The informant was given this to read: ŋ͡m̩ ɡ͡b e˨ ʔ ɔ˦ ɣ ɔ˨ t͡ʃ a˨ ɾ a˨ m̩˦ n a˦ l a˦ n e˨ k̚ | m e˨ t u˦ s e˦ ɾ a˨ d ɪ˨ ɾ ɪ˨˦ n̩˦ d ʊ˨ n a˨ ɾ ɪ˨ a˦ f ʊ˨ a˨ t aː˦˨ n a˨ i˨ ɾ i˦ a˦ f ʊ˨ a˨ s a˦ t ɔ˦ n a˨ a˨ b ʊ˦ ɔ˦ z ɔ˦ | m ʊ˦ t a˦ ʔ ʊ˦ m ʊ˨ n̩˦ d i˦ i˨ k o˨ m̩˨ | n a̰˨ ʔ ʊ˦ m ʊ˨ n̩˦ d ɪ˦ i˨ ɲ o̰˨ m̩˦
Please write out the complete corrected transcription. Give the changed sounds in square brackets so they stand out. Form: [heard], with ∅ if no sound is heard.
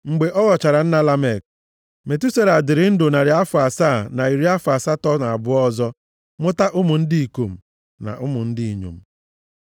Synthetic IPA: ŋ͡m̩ ɡ͡b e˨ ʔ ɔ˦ ɣ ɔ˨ t͡ʃ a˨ ɾ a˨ [n̩˦] n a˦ l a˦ [m] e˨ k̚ | m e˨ t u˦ s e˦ ɾ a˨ d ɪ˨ ɾ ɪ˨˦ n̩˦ d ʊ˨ n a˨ ɾ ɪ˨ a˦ f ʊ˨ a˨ [s] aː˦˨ n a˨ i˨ ɾ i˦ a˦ f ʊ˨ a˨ s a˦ t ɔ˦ n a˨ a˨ b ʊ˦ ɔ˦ z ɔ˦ | m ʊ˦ t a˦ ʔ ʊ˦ m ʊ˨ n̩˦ d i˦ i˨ k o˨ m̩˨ | n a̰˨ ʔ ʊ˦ m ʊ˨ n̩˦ d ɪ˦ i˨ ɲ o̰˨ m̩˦